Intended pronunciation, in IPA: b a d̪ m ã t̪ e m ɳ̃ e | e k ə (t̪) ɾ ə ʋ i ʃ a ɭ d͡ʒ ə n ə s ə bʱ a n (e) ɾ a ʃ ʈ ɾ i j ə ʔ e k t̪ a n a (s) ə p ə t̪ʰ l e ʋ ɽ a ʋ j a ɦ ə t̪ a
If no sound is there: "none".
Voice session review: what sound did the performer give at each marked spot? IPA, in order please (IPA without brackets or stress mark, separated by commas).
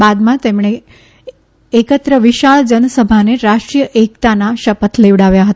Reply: t̪, e, ʃ